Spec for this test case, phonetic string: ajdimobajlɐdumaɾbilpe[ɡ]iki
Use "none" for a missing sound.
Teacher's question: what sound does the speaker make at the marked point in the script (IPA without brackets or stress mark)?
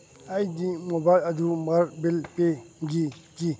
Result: ɡ